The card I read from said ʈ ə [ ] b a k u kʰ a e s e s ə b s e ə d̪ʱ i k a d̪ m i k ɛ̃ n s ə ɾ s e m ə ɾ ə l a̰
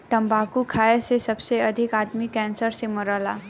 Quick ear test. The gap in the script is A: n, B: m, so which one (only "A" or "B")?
B